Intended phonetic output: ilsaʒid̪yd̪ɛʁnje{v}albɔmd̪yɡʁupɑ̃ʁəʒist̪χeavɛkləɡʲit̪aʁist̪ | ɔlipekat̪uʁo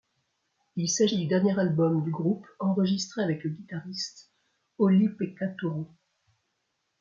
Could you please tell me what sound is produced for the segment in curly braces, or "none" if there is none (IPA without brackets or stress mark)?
ʁ